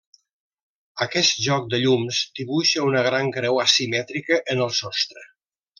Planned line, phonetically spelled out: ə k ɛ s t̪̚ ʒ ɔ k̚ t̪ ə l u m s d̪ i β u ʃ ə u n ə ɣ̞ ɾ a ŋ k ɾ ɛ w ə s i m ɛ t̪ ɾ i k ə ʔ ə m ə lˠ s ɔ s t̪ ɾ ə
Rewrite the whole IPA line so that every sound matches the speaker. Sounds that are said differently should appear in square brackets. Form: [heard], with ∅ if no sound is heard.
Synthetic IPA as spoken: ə k ɛ s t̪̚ ʒ ɔ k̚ [d̪] ə [ʎ] u m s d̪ i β u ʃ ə u n ə ɣ̞ ɾ a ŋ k ɾ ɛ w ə s i m ɛ t̪ ɾ i k ə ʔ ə [n] ə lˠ s ɔ s t̪ ɾ ə